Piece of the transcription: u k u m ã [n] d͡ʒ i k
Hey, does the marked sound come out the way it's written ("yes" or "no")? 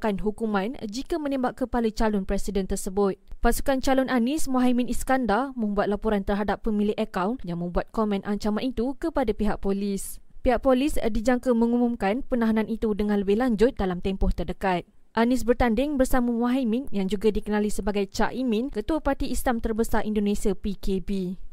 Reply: yes